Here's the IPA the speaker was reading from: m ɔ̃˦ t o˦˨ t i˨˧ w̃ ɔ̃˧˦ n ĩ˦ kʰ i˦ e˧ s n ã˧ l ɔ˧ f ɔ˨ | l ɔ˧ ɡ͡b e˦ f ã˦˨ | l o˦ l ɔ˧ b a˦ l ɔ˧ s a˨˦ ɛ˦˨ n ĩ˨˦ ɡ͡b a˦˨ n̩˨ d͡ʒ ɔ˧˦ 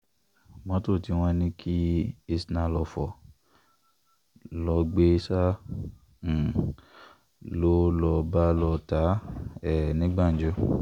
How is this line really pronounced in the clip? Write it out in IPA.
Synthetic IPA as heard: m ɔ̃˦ t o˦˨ t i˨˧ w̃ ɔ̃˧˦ n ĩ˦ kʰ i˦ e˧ s n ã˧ l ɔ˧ f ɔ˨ | l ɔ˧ ɡ͡b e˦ s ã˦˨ | l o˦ l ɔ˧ b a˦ l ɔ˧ t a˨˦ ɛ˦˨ n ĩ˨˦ ɡ͡b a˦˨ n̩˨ d͡ʒ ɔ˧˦